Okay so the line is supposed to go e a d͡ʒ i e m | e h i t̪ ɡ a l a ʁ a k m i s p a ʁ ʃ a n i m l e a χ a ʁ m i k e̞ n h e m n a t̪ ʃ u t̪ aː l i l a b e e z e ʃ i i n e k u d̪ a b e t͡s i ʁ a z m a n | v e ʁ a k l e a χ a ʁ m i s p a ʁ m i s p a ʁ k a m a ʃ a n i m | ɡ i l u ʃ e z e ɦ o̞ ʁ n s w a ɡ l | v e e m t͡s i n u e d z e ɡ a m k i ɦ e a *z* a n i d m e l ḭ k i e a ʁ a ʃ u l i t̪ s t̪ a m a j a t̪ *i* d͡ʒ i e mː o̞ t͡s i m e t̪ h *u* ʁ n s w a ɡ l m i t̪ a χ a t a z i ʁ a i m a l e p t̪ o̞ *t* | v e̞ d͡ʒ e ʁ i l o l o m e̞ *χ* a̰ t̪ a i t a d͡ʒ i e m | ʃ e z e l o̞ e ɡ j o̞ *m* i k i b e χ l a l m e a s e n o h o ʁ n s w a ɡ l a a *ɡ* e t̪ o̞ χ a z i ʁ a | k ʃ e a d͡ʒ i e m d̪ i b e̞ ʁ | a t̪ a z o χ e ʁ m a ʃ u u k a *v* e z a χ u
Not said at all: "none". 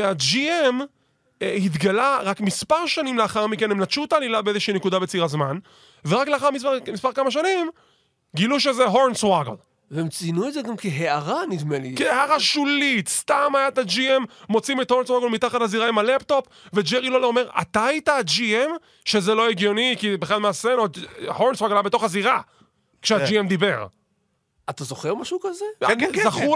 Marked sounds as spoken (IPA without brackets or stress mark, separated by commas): ʁ, a, o, p, ʁ, n, b, z